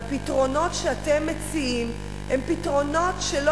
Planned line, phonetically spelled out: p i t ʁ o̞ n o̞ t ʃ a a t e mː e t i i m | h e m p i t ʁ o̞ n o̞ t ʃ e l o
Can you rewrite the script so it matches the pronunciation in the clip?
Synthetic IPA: p i t ʁ o̞ n o̞ t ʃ e a t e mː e t͡s i i m | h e m p i t ʁ o̞ n o̞ t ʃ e l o